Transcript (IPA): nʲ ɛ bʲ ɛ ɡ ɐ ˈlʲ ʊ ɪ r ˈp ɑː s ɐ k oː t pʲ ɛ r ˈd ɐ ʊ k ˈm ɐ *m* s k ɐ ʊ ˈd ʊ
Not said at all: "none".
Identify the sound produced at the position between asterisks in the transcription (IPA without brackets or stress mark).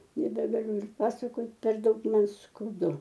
n